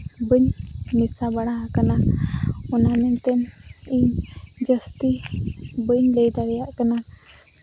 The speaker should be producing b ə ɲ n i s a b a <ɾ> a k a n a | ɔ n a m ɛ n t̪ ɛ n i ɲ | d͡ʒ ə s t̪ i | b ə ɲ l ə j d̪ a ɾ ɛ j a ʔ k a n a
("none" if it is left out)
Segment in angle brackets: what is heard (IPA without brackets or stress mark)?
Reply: ɽ